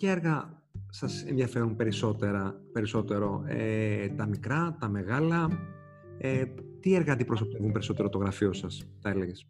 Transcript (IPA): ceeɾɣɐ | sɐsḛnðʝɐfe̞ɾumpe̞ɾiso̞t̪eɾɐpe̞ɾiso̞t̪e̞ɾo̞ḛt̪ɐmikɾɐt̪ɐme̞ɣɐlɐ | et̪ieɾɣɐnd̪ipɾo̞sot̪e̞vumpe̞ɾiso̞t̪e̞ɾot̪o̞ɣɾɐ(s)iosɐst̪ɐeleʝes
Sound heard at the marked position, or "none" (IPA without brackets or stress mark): f